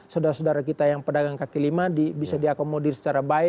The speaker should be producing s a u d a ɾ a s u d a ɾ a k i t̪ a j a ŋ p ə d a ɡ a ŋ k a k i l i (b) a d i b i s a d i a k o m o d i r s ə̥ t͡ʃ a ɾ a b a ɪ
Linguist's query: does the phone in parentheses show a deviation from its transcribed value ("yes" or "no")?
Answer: yes